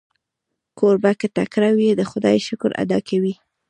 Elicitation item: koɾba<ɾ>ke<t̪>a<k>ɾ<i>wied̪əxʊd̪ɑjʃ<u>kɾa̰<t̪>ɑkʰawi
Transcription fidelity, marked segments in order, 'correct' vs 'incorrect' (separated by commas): incorrect, correct, correct, incorrect, incorrect, incorrect